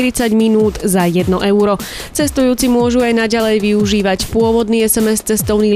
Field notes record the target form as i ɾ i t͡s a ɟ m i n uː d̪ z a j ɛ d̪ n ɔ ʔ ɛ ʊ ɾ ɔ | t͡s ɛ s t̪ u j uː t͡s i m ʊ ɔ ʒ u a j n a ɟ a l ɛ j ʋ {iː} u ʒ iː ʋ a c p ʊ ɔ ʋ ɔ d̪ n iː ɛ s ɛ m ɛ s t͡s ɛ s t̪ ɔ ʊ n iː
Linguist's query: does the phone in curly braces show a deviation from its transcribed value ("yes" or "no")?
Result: yes